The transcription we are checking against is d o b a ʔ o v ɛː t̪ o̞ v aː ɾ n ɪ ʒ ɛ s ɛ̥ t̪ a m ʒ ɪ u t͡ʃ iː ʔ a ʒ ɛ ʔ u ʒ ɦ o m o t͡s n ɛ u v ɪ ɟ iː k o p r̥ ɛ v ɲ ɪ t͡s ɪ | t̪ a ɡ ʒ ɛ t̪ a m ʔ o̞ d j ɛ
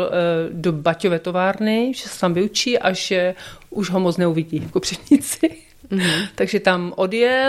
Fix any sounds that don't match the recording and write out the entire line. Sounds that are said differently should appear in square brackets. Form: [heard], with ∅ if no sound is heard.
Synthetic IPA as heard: d o b a [c] o v ɛː t̪ o̞ v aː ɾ n ɪ ʒ ɛ s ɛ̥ t̪ a m [v] ɪ u t͡ʃ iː ʔ a ʒ ɛ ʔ u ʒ ɦ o m o t͡s n ɛ u v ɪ ɟ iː k o p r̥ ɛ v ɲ ɪ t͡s ɪ | t̪ a ɡ ʒ ɛ t̪ a m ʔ o̞ d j ɛ